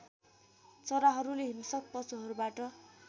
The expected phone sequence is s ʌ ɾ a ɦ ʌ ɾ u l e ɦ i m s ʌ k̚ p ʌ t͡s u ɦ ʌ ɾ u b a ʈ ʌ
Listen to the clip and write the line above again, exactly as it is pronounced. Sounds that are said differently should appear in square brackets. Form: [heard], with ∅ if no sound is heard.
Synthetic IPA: [t͡s] ʌ ɾ a ɦ ʌ ɾ u l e ɦ i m s ʌ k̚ p ʌ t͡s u ɦ ʌ ɾ u b a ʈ ʌ